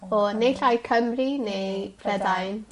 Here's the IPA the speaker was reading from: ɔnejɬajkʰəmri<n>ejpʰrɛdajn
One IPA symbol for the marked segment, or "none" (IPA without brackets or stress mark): n